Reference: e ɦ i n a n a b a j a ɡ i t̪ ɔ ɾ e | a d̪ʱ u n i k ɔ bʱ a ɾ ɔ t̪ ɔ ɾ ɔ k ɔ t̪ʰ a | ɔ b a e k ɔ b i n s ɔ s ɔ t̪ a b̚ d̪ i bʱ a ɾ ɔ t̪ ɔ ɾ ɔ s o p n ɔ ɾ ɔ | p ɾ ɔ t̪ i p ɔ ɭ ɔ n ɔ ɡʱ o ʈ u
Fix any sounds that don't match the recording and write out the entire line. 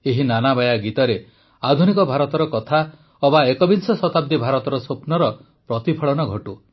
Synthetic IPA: e ɦ i n a n a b a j a ɡ i t̪ ɔ ɾ e | a d̪ʱ u n i k ɔ bʱ a ɾ ɔ t̪ ɔ ɾ ɔ k ɔ t̪ʰ a | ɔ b a e k ɔ b i n s ɔ s ɔ t̪ a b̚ d̪ i bʱ a ɾ ɔ t̪ ɔ ɾ ɔ s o p n ɔ ɾ ɔ | p ɾ ɔ t̪ i pʰ ɔ ɭ ɔ n ɔ ɡʱ ɔ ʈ u